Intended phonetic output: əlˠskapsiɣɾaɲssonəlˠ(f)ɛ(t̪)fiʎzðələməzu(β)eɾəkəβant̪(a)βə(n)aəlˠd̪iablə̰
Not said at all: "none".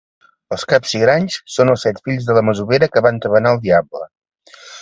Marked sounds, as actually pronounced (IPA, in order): s, t̪, β, ə, n

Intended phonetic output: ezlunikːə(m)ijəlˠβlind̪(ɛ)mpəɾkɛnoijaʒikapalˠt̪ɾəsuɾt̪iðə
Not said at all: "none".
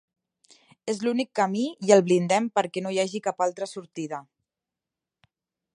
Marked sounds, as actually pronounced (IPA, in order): m, ɛ

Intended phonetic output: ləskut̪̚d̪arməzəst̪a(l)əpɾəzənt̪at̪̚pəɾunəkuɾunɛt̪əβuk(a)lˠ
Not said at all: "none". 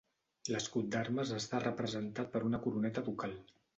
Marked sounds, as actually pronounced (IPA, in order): r, a

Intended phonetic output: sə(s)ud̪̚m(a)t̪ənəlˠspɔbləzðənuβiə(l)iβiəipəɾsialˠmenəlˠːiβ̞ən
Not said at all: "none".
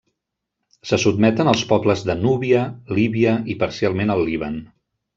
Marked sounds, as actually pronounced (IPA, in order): s, ɛ, l

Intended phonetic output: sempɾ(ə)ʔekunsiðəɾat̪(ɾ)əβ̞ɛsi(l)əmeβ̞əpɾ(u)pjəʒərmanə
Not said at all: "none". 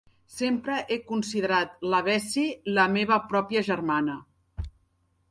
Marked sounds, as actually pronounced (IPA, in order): ə, l, l, ɔ

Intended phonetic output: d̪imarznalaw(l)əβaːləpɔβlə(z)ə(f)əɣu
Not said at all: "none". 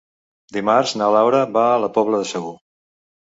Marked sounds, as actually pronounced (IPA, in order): ɾ, ð, s

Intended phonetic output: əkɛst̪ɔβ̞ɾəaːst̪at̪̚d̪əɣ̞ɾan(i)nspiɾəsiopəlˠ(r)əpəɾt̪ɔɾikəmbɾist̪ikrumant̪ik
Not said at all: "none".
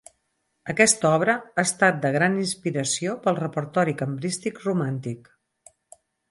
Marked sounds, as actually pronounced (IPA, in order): i, r

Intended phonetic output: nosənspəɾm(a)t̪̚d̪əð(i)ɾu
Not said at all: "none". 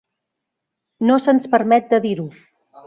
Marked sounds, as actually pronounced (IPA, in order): ɛ, i

